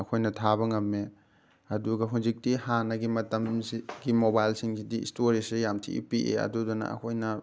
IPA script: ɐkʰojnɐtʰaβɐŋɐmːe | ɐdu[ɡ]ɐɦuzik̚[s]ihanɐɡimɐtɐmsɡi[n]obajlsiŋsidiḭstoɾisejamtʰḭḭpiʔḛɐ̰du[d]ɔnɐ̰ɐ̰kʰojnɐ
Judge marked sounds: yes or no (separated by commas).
yes, no, no, yes